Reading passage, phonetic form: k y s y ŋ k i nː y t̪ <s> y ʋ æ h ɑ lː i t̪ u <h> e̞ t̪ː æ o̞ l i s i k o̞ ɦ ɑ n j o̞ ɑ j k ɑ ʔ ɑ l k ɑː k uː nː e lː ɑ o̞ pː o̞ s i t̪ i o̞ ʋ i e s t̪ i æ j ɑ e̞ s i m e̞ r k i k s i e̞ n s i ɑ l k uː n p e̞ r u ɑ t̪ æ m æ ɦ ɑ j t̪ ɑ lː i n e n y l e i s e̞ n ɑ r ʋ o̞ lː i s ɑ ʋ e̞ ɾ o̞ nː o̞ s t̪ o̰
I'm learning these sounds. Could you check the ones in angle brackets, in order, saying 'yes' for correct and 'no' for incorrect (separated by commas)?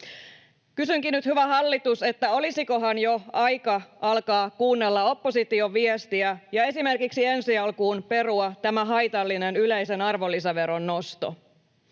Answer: no, no